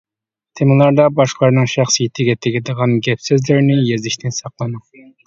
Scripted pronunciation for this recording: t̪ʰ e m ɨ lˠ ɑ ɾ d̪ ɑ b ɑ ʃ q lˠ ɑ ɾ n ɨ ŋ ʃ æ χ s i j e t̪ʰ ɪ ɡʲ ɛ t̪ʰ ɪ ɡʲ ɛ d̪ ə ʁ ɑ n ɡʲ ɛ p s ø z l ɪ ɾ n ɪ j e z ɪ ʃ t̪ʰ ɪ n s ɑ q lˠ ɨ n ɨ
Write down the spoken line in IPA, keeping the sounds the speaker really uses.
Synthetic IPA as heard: t̪ʰ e m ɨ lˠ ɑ ɾ d̪ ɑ b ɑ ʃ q lˠ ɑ ɾ n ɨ ŋ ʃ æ χ s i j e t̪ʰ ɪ ɡʲ ɛ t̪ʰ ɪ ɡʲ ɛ d̪ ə ʁ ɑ n ɡʲ ɛ p s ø z l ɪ ɾ n ɪ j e z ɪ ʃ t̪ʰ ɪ n s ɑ q lˠ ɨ n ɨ